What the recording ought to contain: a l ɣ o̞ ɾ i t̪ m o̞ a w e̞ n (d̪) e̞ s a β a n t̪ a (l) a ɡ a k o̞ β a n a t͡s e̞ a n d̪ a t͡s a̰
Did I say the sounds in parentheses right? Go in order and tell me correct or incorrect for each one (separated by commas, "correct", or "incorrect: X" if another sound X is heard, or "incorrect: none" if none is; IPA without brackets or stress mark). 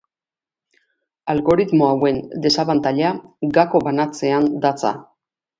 correct, incorrect: ʎ